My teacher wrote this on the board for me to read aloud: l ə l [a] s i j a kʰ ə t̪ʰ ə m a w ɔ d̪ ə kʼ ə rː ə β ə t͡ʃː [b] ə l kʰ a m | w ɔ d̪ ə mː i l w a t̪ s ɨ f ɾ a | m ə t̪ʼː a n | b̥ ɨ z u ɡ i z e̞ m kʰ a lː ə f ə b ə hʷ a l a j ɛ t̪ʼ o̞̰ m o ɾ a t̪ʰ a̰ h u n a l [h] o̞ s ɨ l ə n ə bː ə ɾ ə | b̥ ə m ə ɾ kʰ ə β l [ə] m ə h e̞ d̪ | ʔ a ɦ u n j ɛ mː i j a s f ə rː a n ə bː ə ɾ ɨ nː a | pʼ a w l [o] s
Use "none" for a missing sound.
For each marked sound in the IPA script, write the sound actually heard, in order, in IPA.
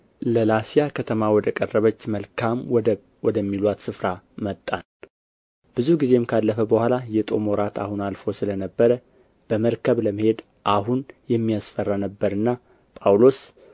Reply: a, m, f, ə, o

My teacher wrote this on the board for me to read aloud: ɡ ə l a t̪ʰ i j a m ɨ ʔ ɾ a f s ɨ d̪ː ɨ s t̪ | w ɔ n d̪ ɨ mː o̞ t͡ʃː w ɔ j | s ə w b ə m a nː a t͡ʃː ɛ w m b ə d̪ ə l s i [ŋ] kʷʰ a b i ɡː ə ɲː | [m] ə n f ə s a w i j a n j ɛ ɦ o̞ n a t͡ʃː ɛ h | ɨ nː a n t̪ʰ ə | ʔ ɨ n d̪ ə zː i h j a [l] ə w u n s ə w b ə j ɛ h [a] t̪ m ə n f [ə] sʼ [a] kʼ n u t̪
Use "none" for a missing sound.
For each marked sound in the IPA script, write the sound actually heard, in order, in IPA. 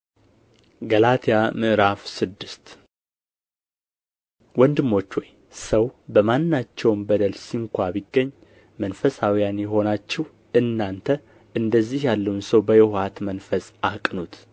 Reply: ŋ, m, lː, a, ə, a

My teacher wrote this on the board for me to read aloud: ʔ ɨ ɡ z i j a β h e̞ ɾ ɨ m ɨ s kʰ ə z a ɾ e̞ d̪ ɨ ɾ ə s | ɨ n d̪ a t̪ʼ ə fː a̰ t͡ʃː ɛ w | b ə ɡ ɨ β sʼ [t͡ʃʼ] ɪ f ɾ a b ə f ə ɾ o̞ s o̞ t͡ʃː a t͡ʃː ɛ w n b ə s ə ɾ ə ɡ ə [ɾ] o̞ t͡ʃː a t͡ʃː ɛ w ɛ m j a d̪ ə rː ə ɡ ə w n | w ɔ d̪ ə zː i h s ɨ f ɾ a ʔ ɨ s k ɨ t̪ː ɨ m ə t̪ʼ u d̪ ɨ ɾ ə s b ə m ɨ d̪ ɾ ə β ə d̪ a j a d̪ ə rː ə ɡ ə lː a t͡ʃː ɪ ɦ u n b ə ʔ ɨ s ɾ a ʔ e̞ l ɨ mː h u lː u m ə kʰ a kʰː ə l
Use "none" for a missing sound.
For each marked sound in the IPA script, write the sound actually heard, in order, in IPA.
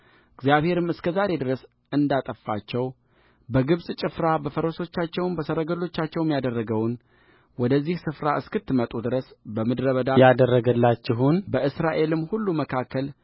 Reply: t͡ʃʼ, l

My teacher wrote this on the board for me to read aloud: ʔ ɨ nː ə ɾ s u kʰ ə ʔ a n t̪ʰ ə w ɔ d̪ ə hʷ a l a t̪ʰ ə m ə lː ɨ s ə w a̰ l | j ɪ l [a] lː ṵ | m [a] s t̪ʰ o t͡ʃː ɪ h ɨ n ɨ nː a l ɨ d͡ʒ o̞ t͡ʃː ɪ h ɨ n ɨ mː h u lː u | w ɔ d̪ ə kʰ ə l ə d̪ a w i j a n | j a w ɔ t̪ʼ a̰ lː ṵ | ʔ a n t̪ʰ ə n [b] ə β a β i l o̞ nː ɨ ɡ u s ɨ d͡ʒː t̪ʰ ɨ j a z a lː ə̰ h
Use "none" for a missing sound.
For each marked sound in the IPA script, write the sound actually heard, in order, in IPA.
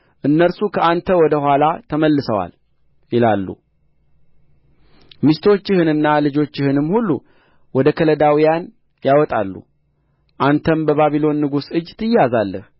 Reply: a, i, b

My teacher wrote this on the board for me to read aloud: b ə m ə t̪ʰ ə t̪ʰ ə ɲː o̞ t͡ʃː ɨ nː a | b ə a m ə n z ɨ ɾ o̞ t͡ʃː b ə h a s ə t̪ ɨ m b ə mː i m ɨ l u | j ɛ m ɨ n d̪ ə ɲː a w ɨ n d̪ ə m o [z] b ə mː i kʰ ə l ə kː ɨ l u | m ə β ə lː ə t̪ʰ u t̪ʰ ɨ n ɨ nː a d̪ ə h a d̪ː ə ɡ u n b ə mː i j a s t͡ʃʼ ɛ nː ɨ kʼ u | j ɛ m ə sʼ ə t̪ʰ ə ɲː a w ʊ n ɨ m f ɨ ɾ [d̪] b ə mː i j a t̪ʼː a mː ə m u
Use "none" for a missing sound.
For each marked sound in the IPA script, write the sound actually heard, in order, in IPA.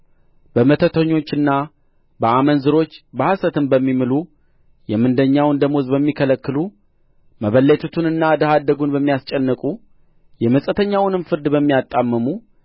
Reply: z, d̪

